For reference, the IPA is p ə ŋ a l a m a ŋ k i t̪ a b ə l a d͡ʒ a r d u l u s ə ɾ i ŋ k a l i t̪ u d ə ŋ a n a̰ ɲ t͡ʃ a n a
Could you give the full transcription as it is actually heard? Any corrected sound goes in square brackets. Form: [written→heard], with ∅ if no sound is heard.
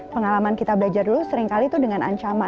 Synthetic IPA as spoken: p ə ŋ a l a m a [ŋ→n] k i t̪ a b ə l a d͡ʒ a r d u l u s ə ɾ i ŋ k a l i t̪ u d ə ŋ a n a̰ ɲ t͡ʃ a [n→m] a

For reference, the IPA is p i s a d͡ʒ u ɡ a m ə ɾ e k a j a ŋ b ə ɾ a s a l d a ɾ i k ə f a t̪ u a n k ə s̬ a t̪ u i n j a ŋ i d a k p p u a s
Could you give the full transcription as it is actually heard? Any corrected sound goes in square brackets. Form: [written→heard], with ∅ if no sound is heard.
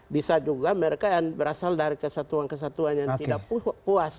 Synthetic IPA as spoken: [p→b] i s a d͡ʒ u ɡ a m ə ɾ e k a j a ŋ b ə ɾ a s a l d a ɾ i k ə [f→s] a t̪ u a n k ə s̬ a t̪ u [i→a] n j a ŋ i d a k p p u a s

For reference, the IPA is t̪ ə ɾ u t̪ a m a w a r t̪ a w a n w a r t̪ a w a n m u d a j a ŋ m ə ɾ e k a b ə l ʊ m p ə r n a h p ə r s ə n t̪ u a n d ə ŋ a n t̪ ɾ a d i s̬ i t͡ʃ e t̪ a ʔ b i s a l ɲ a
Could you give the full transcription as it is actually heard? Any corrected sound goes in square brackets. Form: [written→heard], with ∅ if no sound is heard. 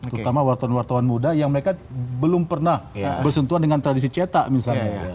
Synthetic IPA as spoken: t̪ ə ɾ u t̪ a m a w a r t̪ a w a n w a r t̪ a w a n m u d a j a ŋ m ə ɾ e k a b ə l ʊ m p ə r n a h [p→b] ə r s ə n t̪ u a n d ə ŋ a n t̪ ɾ a d i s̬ i t͡ʃ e t̪ a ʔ [b→m] i s a l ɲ a

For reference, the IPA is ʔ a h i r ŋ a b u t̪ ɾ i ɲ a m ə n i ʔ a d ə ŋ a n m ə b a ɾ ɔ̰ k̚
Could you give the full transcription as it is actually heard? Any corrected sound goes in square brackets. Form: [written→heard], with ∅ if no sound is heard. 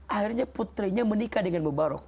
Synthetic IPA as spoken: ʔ a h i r [ŋ→ɲ] a [b→p] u t̪ ɾ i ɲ a m ə n i [ʔ→k] a d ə ŋ a n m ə b a ɾ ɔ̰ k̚

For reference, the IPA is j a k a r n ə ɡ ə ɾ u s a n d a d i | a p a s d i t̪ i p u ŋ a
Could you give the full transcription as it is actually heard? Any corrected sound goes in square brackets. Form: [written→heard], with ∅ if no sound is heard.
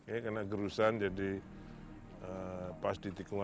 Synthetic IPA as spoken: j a k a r n [ə→a] ɡ ə ɾ u s a n [d→d͡ʒ] a d i | [a→ə] p a s d i t̪ i [p→k] u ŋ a

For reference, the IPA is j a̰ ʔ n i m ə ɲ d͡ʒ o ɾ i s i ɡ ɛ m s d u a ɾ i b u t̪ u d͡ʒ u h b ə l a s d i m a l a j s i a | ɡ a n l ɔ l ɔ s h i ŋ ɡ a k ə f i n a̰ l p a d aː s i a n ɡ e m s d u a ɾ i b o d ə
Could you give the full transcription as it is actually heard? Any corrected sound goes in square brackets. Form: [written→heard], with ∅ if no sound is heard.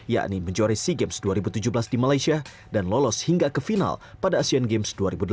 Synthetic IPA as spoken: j a̰ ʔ n i m ə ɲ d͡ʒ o ɾ i s i ɡ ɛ m s d u a ɾ i b u t̪ u d͡ʒ u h b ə l a s d i m a l a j s i a | [ɡ→d] a n l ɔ l ɔ s h i ŋ ɡ a k ə f i n a̰ l p a d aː s i a n ɡ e m s d u a ɾ i b [o→u] d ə

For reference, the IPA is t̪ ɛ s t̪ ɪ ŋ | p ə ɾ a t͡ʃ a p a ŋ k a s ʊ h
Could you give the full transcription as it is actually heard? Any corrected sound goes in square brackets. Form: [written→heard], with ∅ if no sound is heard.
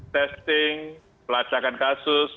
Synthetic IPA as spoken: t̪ ɛ s t̪ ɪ ŋ | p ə [ɾ→l] a t͡ʃ a [p→k] a [ŋ→n] k a s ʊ [h→s]

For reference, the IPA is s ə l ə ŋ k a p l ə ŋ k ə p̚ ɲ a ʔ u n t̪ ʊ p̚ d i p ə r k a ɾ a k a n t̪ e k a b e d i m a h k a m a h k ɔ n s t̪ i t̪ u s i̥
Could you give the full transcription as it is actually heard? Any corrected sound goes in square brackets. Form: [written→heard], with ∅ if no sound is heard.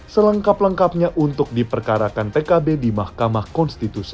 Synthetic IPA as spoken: s ə l ə ŋ k a p l ə ŋ k [ə→a] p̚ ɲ a ʔ u n t̪ ʊ [p̚→k̚] d i p ə r k a ɾ a k a n t̪ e k a b e d i m a h k a m a h k ɔ n s t̪ i t̪ u s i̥

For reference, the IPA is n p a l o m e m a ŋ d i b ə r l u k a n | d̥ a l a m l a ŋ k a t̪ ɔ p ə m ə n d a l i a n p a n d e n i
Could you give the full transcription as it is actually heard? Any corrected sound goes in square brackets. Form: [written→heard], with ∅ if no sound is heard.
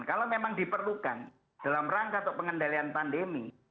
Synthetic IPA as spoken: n [p→k] a l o m e m a ŋ d i [b→p] ə r l u k a n | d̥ a l a m [l→r] a ŋ k a t̪ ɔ p ə [m→ŋ] ə n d a l i a n p a n d e [n→m] i

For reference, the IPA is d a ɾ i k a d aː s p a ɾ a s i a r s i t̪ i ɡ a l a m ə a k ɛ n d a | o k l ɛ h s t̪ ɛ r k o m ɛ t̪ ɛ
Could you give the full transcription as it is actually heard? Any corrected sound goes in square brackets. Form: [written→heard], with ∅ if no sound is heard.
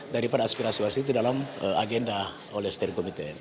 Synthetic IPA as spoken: d a ɾ i [k→p] a d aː s p [a→i] ɾ a s i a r s i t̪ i [ɡ→d] a l a m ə a [k→ɡ] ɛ n d a | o [k→∅] l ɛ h s t̪ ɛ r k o m [ɛ→i] t̪ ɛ

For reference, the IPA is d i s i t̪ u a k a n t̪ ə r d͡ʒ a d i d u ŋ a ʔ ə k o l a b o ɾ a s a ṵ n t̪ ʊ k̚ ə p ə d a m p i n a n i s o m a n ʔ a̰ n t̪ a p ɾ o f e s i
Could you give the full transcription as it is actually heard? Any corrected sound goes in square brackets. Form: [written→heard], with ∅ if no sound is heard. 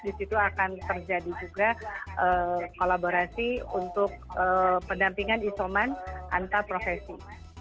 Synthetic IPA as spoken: d i s i t̪ u a k a n t̪ ə r d͡ʒ a d i [d→d͡ʒ] u [ŋ→ɡ] a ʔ ə k o l a b o ɾ a s [a→i] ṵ n t̪ ʊ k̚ ə p ə d a m p i [n→ŋ] a n i s o m a n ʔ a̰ n t̪ a p ɾ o f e s i

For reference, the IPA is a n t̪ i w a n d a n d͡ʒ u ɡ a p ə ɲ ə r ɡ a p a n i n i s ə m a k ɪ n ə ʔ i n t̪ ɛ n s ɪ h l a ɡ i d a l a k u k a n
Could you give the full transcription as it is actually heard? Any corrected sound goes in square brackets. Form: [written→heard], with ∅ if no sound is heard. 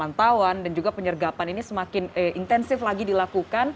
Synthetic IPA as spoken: a n t̪ [i→a] w a n d a n d͡ʒ u ɡ a p ə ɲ ə r ɡ a p a n i n i s ə m a k ɪ n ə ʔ i n t̪ ɛ n s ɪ [h→f] l a ɡ i d [a→i] l a k u k a n

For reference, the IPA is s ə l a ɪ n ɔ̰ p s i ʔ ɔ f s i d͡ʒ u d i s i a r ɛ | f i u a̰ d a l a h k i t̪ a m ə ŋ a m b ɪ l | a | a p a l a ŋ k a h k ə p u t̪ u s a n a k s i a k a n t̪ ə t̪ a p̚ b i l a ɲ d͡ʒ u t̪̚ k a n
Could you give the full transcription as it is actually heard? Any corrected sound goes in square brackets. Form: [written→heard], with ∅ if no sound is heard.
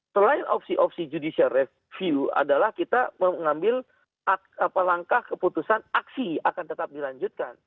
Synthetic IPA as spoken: s ə l a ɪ n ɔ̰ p s i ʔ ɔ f s i d͡ʒ u d i s i a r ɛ | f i u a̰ d a l a h k i t̪ a m ə ŋ a m b ɪ l | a | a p a l a ŋ k a h k ə p u t̪ u s a n a k s i a k a n t̪ ə t̪ a p̚ [b→d] i l a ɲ d͡ʒ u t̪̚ k a n

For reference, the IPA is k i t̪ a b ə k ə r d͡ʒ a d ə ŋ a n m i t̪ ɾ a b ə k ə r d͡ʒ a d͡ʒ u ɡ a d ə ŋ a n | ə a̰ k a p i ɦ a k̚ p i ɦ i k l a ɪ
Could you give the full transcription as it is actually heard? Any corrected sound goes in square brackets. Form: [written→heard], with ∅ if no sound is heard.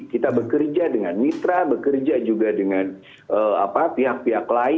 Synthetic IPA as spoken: k i t̪ a b ə k ə r d͡ʒ a d ə ŋ a n m i t̪ ɾ a b ə k ə r d͡ʒ a d͡ʒ u ɡ a d ə ŋ a n | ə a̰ [k→p] a p i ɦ a k̚ p i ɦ [i→a] k l a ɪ

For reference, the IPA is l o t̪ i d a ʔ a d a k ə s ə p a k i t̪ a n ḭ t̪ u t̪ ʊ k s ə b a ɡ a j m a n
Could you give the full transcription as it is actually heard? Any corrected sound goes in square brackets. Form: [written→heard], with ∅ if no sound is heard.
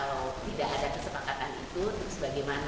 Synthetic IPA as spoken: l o t̪ i d a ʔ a d a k ə s ə p a k [i→a] t̪ a n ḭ t̪ u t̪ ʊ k s ə b a ɡ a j m a n

